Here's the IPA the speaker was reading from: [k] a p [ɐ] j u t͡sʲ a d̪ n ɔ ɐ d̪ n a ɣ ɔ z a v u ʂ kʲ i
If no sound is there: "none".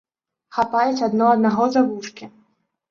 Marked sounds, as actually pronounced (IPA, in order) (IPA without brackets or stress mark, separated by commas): x, a